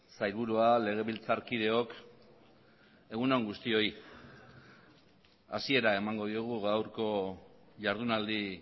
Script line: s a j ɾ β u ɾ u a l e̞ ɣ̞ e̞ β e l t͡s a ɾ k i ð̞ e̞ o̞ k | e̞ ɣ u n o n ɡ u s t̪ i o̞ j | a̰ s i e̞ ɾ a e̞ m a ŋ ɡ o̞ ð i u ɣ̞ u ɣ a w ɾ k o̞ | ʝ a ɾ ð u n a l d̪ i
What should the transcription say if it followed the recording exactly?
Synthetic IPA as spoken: s a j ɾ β u ɾ u a l e̞ ɣ̞ e̞ β i l t͡s a ɾ k i ð̞ e̞ o̞ k | e̞ ɣ u n o ŋ ɡ u s t̪ i o̞ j | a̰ s i e̞ ɾ a e̞ m a ŋ ɡ o̞ ð i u ɣ̞ u ɣ a w ɾ k o̞ | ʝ a ɾ ð u n a l d̪ i